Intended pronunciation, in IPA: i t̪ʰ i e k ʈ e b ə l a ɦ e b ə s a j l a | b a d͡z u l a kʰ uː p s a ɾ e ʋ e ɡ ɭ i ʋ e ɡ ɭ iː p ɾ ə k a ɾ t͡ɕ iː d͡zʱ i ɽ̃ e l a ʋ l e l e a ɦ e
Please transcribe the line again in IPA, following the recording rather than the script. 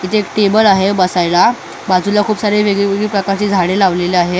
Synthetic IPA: i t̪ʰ e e k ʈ e b ə l a ɦ e b ə s a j l a | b a d͡z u l a kʰ uː p s a ɾ e ʋ e ɡ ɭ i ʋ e ɡ ɭ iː p ɾ ə k a ɾ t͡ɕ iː d͡zʱ a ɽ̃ e l a ʋ l e l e a ɦ e